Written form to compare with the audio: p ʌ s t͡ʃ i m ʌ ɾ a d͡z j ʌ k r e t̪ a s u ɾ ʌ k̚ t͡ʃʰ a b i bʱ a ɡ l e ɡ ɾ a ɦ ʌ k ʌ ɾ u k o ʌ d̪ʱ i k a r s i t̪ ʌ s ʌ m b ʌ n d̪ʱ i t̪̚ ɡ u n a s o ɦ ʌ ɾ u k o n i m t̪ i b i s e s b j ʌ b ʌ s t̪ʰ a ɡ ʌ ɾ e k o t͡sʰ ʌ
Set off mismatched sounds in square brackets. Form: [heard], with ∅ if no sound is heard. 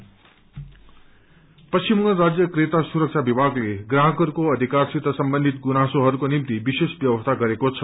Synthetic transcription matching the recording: p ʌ s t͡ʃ i m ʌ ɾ a d͡z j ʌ k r e t̪ a s u ɾ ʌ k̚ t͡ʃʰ a b i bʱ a ɡ l e ɡ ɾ a ɦ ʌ k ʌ ɾ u k o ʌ d̪ʱ i k a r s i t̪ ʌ s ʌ m b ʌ n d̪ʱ i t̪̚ ɡ u n a s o ɦ ʌ ɾ u k o n i m t̪ i b i s e s b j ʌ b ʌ s t̪ʰ a ɡ ʌ ɾ e k o t͡sʰ ʌ